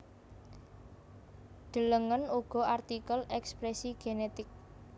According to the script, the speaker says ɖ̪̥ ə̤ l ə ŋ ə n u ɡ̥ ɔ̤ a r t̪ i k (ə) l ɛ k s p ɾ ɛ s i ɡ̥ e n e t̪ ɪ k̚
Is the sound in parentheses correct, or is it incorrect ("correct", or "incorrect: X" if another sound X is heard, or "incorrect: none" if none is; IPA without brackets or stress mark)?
correct